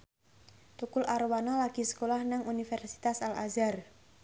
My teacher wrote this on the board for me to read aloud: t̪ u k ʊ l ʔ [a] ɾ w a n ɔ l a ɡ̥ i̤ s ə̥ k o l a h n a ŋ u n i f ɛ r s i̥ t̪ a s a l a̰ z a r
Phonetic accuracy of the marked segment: correct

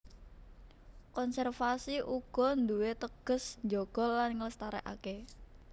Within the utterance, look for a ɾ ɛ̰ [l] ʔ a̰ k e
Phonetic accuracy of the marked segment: incorrect: none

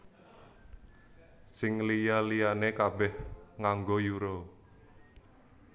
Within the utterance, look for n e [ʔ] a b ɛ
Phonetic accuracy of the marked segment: incorrect: k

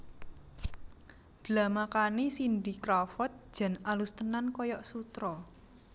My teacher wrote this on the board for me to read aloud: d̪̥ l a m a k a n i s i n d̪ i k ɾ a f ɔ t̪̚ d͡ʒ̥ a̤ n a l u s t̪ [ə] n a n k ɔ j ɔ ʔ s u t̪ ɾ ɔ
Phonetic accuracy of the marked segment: correct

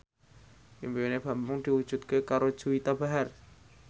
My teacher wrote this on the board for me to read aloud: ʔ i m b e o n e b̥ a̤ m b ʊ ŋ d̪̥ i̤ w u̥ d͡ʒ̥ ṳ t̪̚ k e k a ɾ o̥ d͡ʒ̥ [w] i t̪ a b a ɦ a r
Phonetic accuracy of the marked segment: incorrect: u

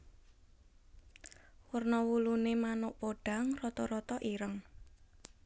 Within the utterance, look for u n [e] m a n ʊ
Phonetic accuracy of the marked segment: correct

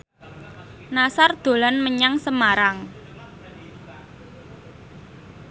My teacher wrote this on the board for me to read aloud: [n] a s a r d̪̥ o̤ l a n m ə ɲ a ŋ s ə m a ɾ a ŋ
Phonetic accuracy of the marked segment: correct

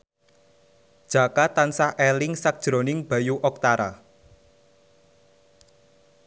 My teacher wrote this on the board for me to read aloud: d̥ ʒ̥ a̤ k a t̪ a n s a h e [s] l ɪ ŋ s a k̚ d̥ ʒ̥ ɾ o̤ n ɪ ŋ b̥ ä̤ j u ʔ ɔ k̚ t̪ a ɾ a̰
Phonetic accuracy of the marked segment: incorrect: none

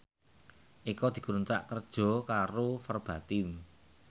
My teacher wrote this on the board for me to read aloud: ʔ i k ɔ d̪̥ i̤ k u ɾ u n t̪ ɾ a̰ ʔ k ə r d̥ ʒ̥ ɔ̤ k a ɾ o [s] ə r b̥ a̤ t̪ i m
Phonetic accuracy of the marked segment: incorrect: f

